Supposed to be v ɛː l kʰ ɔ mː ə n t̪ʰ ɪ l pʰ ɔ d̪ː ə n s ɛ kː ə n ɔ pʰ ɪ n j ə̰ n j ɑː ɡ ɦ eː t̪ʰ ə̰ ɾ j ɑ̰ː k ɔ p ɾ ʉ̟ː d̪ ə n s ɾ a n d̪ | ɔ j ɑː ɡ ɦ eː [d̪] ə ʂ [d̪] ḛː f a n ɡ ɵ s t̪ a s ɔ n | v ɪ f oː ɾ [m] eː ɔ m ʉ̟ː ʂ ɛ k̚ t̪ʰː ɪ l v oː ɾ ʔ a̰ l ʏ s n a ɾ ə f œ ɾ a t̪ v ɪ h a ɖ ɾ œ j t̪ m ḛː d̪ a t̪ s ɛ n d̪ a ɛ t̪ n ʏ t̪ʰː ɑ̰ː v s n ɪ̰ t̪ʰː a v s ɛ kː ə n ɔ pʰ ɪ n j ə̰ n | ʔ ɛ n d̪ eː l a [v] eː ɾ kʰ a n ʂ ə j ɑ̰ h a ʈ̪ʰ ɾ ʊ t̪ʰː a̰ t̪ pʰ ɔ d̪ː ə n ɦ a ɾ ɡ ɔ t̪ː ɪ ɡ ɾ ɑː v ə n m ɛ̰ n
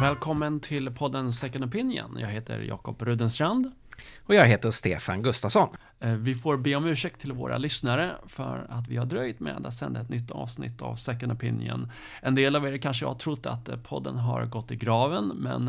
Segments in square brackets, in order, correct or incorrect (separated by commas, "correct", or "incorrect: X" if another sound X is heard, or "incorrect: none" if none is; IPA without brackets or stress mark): incorrect: t̪, incorrect: t̪, incorrect: b, correct